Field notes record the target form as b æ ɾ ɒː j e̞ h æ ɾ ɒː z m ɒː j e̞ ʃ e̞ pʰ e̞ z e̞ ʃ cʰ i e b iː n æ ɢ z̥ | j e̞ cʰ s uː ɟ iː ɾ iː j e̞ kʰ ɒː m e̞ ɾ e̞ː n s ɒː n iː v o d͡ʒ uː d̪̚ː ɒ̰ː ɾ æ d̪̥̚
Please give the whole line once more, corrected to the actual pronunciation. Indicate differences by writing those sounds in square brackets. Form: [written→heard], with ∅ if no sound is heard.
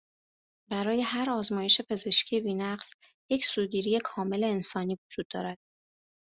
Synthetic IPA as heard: b æ ɾ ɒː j e̞ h æ ɾ ɒː z m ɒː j e̞ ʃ e̞ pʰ e̞ z e̞ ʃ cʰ i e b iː n æ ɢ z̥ | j e̞ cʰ s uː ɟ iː ɾ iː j e̞ kʰ ɒː m e̞ [ɾ→l] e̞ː n s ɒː n iː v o d͡ʒ uː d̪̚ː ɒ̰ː ɾ æ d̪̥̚